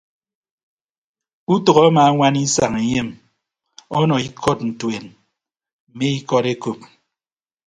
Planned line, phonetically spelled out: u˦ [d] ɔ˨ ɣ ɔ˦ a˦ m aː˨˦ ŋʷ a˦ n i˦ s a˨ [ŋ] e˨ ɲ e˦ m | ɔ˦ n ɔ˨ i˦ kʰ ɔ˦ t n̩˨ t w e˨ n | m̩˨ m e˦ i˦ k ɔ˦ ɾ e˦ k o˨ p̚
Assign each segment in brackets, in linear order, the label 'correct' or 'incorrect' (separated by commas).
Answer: incorrect, correct